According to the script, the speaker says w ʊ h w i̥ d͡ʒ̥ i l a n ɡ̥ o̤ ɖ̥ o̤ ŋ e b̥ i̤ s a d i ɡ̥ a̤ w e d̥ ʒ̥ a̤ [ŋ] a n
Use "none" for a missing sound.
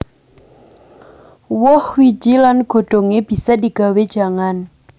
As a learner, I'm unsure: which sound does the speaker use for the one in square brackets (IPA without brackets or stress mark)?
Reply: ŋ